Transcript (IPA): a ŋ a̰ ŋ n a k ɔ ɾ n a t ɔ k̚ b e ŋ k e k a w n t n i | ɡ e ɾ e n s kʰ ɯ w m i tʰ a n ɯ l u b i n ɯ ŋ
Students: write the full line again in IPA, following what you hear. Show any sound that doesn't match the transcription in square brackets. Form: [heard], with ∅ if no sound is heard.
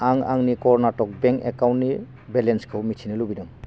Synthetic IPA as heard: a ŋ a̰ ŋ n [i] k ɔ ɾ n a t ɔ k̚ b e ŋ k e k a w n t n i | [b] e [l] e n s kʰ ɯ w m i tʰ [i] n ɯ l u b i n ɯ ŋ